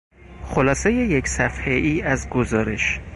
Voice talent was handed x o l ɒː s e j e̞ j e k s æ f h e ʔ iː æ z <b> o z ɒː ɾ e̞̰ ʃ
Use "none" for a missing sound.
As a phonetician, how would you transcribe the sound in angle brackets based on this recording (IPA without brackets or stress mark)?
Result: ɡ